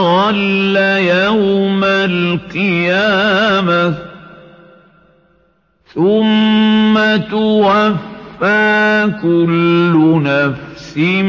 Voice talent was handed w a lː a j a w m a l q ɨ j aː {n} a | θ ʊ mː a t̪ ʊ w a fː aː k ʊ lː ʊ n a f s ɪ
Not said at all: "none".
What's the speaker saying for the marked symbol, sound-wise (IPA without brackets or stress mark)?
m